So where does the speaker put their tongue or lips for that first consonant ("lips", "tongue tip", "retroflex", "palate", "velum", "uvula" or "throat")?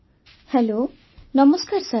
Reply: throat